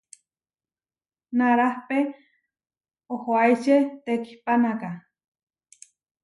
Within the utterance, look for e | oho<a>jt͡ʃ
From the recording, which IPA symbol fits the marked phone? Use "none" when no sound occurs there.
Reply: a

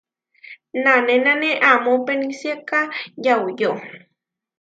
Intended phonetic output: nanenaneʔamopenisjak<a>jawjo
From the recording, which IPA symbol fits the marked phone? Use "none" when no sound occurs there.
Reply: a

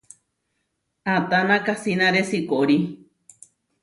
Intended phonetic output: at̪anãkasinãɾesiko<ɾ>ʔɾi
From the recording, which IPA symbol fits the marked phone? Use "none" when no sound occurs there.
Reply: none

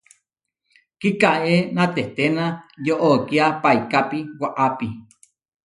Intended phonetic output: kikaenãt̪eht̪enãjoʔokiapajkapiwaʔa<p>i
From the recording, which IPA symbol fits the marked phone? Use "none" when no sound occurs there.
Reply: p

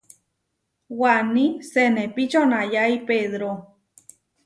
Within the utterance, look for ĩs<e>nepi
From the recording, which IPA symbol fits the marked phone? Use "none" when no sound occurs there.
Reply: e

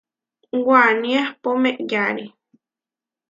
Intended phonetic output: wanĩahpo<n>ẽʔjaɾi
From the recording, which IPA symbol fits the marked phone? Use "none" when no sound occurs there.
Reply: m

